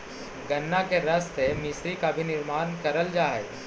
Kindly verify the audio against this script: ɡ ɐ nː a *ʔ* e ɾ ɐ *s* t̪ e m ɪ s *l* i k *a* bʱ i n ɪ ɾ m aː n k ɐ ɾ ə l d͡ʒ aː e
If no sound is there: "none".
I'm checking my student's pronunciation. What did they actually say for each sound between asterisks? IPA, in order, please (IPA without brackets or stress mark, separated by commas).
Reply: k, s, ɾ, a